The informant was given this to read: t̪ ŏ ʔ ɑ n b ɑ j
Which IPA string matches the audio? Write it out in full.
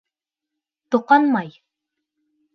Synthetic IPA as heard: t̪ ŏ q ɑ n m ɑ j